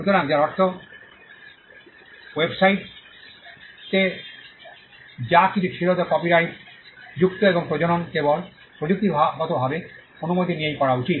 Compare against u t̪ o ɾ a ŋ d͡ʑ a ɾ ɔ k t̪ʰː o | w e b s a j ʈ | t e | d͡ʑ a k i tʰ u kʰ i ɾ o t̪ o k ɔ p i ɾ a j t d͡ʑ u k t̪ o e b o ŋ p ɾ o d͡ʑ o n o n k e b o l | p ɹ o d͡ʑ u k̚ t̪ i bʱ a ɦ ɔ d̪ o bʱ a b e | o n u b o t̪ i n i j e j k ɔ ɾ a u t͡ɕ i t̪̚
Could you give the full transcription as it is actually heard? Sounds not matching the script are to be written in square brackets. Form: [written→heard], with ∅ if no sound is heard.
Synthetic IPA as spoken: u t̪ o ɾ a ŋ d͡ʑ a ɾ ɔ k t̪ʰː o | w e b s a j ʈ | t e | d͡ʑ a k i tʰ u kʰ i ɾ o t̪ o k ɔ p i ɾ a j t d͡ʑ u k t̪ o e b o ŋ p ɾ o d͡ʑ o n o n k e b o l | p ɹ o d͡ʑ u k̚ t̪ i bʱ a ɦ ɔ [d̪→t̪] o bʱ a b e | o n u [b→m] o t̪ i n i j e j k ɔ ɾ a u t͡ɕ i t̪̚